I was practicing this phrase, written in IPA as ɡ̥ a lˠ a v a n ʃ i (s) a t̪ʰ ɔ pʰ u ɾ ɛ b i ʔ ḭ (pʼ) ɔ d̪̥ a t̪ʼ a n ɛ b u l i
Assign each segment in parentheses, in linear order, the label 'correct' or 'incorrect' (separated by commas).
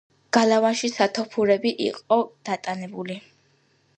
correct, incorrect